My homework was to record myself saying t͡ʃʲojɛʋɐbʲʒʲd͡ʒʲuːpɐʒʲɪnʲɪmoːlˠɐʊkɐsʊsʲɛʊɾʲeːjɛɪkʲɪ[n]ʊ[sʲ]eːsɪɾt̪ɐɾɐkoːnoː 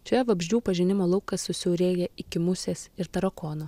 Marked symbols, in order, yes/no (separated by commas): no, yes